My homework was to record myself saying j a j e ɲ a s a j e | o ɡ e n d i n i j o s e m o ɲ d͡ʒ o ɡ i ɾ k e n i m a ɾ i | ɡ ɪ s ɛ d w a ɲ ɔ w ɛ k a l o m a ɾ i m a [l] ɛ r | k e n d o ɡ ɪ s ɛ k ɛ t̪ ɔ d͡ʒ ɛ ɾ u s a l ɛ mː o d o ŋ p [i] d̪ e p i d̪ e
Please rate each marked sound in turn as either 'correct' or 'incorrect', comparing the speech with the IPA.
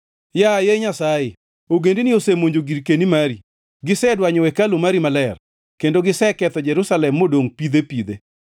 correct, correct

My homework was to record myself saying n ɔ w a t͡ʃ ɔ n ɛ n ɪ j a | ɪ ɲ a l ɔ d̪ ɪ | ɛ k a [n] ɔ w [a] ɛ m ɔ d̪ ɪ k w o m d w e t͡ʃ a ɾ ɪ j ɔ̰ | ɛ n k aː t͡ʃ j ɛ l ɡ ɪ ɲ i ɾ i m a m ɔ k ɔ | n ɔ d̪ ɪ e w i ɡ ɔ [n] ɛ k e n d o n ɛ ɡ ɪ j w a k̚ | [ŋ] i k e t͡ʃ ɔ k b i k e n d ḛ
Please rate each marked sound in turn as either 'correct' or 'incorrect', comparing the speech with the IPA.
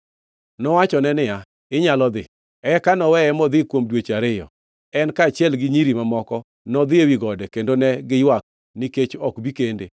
correct, incorrect: ɛ, incorrect: d, incorrect: n

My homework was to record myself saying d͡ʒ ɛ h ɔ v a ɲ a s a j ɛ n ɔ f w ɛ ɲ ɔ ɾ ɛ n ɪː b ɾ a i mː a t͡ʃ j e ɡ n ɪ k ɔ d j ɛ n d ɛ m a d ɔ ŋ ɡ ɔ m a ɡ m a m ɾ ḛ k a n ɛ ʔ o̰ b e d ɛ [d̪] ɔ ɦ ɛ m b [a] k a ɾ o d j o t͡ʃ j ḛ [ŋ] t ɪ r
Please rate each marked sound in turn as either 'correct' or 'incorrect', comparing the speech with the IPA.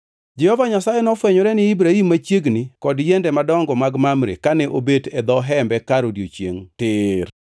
correct, incorrect: ɛ, correct

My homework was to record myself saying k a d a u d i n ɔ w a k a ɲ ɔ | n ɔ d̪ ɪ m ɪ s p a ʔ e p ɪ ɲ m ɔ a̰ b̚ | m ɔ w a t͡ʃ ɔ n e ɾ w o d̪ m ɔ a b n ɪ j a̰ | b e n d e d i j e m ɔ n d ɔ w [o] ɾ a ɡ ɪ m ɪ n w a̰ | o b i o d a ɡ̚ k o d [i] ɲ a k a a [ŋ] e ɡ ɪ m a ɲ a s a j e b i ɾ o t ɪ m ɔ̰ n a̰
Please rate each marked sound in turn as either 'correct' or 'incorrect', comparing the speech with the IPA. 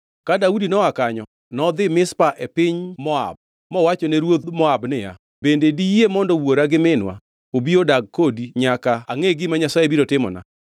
correct, correct, correct

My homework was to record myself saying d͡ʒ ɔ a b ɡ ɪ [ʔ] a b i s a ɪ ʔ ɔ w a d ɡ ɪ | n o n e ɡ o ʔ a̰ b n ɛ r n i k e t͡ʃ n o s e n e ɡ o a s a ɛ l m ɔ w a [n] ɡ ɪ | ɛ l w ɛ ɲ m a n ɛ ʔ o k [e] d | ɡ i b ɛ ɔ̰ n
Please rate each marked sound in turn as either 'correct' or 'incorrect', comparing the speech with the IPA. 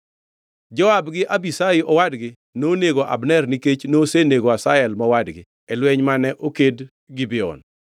correct, incorrect: d, correct

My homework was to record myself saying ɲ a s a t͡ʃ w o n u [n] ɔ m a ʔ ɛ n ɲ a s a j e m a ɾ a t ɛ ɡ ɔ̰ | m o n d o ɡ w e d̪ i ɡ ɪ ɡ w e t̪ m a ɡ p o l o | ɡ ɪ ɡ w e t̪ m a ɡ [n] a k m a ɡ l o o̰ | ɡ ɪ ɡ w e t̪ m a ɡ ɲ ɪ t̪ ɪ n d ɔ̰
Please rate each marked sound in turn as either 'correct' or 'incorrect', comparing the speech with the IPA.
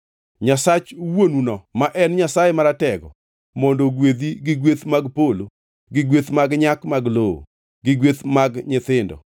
correct, incorrect: ɲ

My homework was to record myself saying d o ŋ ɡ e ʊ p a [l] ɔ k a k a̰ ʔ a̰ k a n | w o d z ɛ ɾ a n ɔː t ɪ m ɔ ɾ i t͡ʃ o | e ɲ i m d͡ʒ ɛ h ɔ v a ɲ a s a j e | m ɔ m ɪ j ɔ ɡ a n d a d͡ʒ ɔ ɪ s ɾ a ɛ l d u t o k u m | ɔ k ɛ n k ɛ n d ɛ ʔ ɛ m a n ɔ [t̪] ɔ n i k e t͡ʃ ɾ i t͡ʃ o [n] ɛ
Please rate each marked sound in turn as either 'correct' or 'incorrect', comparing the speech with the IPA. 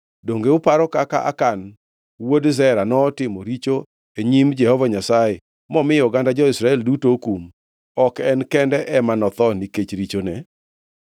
incorrect: ɾ, correct, correct

